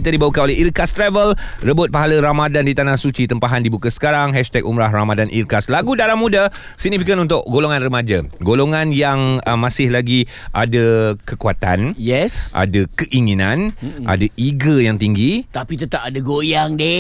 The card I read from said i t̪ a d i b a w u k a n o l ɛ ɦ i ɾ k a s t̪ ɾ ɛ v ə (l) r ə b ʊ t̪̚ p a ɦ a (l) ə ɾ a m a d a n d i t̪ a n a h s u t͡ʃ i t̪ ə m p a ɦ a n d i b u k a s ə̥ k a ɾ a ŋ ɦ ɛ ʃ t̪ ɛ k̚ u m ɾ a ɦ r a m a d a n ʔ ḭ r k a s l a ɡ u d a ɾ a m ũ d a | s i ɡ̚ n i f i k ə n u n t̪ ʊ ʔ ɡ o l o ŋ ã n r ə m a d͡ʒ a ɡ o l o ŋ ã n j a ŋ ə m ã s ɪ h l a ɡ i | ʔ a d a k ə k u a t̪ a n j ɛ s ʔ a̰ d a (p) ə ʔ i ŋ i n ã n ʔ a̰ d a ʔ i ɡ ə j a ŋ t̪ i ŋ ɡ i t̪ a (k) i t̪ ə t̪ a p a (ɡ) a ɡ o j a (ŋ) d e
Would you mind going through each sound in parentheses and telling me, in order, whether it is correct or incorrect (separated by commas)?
correct, correct, incorrect, incorrect, incorrect, correct